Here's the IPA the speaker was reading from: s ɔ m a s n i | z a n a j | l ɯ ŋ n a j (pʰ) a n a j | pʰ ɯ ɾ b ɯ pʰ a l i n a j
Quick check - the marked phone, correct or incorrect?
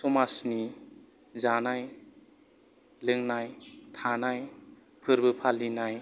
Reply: incorrect